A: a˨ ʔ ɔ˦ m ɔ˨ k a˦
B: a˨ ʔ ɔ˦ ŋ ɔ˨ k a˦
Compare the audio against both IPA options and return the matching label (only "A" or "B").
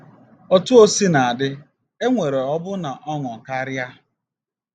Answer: B